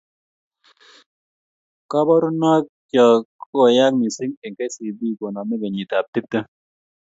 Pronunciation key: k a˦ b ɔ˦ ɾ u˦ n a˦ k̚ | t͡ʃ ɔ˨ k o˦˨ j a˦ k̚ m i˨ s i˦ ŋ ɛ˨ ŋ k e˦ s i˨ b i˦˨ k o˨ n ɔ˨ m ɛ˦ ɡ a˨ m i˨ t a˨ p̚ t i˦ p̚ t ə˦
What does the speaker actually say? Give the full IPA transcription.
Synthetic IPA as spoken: k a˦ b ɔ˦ ɾ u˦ n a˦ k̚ | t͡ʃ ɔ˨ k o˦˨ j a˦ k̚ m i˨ s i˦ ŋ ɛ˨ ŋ k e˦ s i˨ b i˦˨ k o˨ n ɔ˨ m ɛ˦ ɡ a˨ ɲ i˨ t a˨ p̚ t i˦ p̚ t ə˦